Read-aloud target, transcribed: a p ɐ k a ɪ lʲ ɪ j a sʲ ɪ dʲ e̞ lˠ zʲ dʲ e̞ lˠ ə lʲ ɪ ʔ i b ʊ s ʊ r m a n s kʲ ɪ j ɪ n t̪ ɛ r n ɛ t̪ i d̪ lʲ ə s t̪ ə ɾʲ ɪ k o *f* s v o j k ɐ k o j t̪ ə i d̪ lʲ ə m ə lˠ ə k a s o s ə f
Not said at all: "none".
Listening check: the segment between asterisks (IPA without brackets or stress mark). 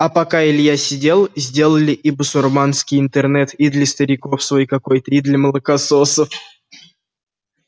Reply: f